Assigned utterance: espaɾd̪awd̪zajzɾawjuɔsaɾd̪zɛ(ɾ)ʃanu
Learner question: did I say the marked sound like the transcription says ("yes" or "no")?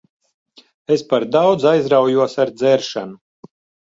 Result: yes